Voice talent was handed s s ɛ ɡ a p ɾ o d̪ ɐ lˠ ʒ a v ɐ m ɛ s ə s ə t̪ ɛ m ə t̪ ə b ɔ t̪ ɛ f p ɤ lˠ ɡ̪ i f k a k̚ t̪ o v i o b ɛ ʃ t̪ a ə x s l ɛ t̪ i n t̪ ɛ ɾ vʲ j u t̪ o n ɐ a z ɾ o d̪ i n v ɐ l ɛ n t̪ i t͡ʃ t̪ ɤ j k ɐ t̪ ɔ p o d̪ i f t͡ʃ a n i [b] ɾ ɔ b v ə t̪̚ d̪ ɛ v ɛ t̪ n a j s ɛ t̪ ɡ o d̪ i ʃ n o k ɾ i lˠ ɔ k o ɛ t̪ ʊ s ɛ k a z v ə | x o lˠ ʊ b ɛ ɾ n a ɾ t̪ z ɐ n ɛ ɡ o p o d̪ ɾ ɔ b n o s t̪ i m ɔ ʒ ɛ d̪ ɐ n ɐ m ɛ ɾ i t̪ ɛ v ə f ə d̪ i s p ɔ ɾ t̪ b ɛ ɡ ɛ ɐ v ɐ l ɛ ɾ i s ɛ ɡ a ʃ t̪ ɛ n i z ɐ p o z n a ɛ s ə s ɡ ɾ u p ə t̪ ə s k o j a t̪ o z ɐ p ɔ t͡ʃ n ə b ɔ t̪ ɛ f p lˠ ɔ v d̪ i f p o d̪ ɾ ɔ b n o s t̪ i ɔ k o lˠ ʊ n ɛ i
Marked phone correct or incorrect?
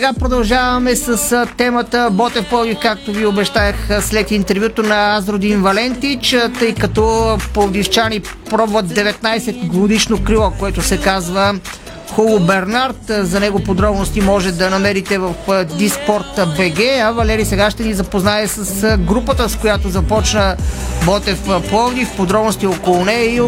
incorrect